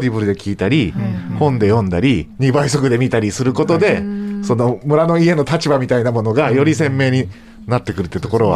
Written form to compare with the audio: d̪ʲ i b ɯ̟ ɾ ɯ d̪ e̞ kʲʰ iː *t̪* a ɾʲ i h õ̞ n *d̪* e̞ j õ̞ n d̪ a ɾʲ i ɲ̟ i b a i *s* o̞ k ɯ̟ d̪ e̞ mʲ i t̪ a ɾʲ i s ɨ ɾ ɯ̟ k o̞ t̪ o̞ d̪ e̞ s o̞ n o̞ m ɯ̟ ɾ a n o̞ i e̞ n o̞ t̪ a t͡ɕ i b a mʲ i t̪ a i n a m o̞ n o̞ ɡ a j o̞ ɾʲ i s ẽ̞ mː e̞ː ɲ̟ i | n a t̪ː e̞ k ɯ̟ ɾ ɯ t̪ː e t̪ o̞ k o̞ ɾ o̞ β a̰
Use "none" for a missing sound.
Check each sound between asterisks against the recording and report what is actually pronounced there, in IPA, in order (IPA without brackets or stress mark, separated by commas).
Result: t̪, d̪, s